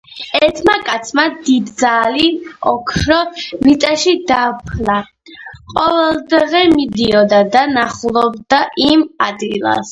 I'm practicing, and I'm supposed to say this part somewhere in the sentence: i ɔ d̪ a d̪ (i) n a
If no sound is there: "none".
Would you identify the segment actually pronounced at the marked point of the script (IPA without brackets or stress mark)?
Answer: a